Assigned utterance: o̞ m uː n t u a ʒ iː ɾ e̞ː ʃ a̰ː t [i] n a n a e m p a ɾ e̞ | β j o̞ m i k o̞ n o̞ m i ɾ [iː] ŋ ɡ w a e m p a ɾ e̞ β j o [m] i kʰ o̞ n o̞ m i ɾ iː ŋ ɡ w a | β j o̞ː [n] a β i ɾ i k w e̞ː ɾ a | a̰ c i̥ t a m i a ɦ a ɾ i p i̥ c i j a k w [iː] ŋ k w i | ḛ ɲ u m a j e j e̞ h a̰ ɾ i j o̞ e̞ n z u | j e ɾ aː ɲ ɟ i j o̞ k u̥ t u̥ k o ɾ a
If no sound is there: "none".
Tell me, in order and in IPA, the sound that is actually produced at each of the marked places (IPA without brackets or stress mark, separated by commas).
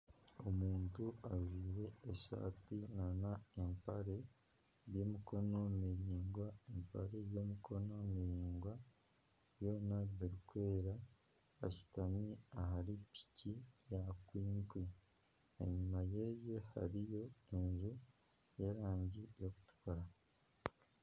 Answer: i, iː, m, n, iː